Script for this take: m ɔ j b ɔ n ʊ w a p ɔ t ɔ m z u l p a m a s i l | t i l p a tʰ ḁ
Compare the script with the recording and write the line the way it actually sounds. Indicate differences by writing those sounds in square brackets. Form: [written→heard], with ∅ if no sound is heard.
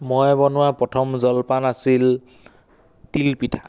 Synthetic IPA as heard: m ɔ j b ɔ n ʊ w a p ɔ [t→tʰ] ɔ m z [u→ɔ] l p a [m→n] a s i l | t i l p [a→i] tʰ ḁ